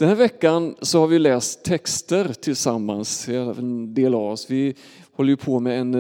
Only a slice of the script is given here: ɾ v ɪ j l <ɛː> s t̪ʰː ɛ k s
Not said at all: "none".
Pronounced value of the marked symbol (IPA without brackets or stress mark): ɛː